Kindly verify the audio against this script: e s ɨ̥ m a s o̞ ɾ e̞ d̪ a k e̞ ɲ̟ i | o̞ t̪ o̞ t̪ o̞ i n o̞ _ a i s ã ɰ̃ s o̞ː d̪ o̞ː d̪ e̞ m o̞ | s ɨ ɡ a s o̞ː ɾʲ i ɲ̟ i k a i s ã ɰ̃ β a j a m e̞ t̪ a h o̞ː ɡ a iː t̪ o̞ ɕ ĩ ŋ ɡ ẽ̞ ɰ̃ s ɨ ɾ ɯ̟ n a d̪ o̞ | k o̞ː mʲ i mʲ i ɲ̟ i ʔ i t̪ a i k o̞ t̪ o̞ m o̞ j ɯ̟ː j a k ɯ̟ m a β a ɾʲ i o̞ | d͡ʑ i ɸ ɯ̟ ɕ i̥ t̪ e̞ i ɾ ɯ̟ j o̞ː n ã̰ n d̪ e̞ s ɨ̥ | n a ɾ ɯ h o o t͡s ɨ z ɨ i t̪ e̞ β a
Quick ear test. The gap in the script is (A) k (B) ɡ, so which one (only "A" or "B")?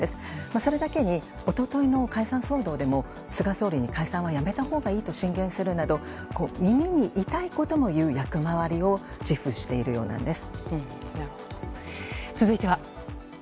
A